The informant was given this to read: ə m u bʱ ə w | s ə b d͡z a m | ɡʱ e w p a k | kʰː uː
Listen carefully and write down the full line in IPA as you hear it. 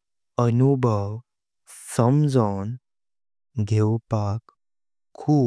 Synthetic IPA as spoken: ə n u bʱ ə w | s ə m d͡z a n | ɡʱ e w p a k | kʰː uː